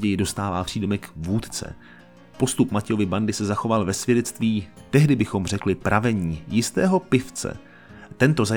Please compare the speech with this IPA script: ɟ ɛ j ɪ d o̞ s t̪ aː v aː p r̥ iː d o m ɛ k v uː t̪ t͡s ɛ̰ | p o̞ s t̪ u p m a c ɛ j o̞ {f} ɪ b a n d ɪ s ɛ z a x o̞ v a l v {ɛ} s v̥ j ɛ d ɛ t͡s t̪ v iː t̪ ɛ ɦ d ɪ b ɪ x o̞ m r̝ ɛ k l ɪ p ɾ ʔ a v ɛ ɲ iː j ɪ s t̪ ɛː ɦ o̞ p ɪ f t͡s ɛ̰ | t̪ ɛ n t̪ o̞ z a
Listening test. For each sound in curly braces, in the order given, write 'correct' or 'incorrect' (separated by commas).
incorrect, correct